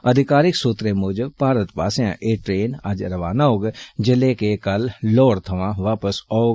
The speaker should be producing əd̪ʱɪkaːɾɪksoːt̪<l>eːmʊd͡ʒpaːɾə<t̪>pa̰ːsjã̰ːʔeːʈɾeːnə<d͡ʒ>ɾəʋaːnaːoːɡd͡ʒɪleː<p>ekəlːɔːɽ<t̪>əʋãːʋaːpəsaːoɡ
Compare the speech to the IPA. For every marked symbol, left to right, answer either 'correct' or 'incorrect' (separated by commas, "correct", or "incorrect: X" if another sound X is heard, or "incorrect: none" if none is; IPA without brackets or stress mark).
incorrect: ɾ, correct, correct, incorrect: k, incorrect: t̪ʰ